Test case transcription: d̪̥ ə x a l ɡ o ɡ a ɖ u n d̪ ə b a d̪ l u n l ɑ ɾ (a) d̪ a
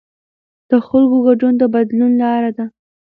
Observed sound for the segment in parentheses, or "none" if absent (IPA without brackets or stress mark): a